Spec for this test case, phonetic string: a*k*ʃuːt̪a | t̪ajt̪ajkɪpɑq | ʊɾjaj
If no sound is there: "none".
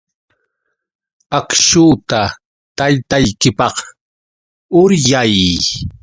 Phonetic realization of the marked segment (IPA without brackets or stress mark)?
k